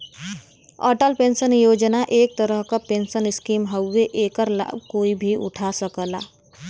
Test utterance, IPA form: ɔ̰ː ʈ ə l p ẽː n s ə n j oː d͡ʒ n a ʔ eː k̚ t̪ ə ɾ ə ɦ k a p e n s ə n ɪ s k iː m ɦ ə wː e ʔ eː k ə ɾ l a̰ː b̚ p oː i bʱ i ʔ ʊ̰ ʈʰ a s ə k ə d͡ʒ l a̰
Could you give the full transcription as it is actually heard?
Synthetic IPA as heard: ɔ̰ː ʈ ə l p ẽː n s ə n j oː d͡ʒ n a ʔ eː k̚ t̪ ə ɾ ə ɦ k a p e n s ə n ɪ s k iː m ɦ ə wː e ʔ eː k ə ɾ l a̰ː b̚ k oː i bʱ i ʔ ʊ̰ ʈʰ a s ə k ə l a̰

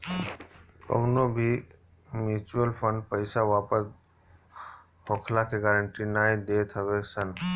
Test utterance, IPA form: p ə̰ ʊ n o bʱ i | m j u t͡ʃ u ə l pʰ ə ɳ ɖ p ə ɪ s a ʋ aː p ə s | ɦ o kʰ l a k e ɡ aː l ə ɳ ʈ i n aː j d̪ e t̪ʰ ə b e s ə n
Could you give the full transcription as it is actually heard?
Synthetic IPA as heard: k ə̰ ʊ n o bʱ i | m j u t͡ʃ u ə l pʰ ə ɳ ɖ p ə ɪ s a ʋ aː p ə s | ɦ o kʰ l a k e ɡ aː ɾ ə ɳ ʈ i n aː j d̪ e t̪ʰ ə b e s ə n

